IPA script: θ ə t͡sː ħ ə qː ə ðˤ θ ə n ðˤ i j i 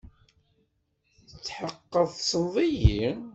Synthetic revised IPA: θ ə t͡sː ħ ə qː ə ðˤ s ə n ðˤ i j i